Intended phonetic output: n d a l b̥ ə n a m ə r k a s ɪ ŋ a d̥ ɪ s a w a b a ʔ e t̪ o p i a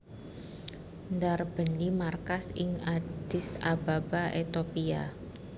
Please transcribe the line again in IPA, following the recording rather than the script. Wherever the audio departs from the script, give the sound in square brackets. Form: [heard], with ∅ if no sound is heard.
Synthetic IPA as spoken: n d a [r] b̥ ə n [i] m [a] r k a s ɪ ŋ a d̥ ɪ s a [b] a b a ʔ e t̪ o p i a